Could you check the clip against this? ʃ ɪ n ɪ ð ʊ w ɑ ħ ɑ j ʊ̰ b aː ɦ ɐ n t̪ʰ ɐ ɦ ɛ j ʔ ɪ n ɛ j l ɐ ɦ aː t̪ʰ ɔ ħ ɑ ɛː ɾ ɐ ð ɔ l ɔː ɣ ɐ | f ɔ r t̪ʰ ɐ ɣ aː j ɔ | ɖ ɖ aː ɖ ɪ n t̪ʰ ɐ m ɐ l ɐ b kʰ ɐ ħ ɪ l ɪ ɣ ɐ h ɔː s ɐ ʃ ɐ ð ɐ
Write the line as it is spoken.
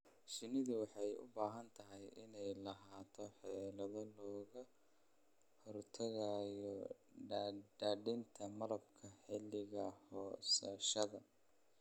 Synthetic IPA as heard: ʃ ɪ n ɪ ð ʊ w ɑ ħ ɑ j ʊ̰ b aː ɦ ɐ n t̪ʰ ɐ ɦ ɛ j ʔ ɪ n ɛ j l ɐ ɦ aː t̪ʰ ɔ ħ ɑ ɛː l ɐ ð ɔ l ɔː ɣ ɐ | h ɔ r t̪ʰ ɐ ɣ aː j ɔ | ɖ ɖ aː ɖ ɪ n t̪ʰ ɐ m ɐ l ɐ b kʰ ɐ ħ ɪ l ɪ ɣ ɐ h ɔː s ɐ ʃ ɐ ð ɐ